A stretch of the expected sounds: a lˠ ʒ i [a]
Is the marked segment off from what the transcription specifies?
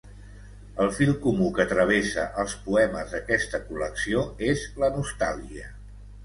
yes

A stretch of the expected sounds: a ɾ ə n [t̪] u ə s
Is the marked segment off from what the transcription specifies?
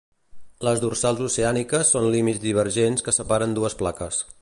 yes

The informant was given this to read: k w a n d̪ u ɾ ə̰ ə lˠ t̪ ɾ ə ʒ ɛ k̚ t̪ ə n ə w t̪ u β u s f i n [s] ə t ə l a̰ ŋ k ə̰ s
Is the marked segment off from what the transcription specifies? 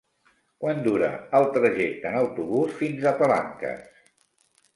yes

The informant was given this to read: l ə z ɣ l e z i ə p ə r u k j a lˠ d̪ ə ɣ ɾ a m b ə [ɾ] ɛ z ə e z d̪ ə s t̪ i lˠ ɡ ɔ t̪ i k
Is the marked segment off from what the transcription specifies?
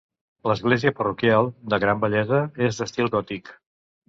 yes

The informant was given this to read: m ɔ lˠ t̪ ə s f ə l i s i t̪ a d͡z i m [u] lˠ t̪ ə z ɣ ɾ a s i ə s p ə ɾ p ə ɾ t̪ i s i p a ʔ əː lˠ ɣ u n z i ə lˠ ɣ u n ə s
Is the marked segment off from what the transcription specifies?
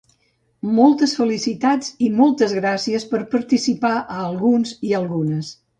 yes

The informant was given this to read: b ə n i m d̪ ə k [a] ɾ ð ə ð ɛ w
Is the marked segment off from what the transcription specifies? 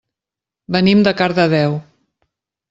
no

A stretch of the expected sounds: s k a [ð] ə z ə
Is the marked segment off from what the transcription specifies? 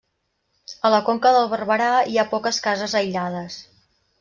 yes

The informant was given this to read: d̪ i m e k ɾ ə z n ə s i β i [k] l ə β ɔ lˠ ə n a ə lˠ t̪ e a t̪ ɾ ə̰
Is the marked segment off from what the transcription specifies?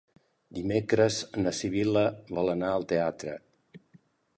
yes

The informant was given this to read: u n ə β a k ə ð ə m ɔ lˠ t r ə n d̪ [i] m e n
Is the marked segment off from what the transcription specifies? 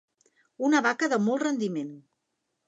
no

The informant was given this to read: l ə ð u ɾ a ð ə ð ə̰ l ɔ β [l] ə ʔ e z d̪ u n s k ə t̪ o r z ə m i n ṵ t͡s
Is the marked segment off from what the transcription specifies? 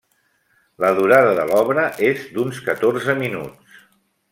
yes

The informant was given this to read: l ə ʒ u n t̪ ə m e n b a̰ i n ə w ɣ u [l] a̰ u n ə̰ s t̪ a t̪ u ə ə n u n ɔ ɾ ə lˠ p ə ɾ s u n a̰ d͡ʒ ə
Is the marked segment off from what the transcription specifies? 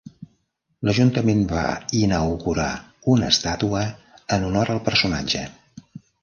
yes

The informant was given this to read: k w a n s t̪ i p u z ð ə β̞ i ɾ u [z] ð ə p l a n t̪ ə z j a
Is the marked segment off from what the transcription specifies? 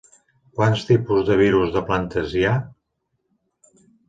no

